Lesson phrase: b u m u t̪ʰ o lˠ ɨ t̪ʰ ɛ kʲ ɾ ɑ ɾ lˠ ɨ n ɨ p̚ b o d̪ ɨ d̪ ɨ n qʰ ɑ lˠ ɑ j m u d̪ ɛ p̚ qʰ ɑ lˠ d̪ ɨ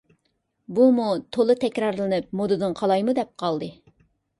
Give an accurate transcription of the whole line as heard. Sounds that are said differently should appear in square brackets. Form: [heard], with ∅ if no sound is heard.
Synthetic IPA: b u m u t̪ʰ o lˠ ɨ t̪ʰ ɛ kʲ ɾ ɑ ɾ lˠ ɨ n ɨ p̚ [m] o d̪ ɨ d̪ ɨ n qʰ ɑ lˠ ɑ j m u d̪ ɛ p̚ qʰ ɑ lˠ d̪ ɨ